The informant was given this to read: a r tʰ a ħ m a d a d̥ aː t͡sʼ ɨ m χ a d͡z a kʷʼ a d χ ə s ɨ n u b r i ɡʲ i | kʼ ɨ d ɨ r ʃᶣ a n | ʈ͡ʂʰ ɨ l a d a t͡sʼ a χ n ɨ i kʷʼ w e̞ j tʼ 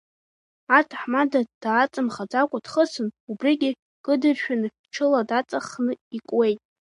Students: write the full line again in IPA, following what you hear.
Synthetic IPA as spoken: a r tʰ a ħ m a d a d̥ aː t͡sʼ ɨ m χ a d͡z a kʷʼ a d χ ə s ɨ n u b r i ɡʲ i | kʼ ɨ d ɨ r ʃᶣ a n | ʈ͡ʂʰ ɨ l a d a t͡sʼ a χ n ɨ i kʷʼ w e̞ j tʼ